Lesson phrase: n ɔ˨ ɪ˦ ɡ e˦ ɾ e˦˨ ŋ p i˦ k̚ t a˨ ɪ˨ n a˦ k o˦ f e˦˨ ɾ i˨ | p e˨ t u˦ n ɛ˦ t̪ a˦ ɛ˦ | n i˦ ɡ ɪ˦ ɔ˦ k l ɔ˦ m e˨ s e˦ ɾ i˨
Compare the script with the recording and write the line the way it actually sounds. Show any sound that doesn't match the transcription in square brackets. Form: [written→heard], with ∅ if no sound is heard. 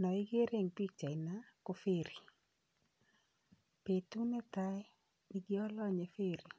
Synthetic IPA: n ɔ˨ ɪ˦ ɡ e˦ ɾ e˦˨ ŋ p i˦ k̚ [t→t͡ʃ] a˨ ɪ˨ n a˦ k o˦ f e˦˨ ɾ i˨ | p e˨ t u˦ n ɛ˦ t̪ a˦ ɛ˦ | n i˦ ɡ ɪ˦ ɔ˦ [k→∅] l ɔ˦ [m→ɲ] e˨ [s→f] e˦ ɾ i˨